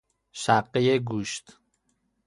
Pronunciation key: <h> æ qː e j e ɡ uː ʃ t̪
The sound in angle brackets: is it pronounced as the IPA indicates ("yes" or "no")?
no